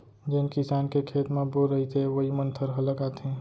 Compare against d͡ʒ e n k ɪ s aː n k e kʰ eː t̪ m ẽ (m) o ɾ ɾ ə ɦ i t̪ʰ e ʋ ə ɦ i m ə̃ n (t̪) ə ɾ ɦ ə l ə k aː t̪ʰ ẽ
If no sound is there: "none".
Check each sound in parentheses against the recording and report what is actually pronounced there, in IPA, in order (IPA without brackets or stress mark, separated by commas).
b, t̪ʰ